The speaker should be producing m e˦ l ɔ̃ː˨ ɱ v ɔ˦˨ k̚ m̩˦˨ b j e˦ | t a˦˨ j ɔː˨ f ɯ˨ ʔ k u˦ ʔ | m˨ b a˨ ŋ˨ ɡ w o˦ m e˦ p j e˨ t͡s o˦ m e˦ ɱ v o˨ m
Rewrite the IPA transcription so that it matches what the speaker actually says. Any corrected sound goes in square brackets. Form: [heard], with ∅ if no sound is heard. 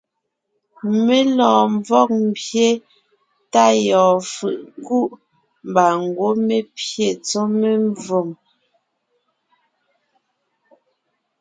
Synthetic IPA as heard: m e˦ l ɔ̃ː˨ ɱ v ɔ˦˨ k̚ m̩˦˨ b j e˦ | t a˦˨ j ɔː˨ f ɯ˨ ʔ k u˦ ʔ | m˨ b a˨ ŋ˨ ɡ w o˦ m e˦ p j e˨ t͡s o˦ m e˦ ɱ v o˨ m